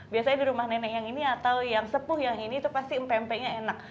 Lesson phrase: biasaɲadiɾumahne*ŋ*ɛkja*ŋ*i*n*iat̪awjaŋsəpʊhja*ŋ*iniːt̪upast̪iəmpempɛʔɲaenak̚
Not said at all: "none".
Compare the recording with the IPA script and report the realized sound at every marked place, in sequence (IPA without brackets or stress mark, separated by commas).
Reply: n, ŋ, n, ŋ